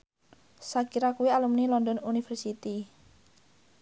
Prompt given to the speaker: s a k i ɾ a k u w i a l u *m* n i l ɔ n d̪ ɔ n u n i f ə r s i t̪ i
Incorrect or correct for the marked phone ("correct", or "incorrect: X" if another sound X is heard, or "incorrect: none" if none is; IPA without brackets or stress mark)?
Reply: correct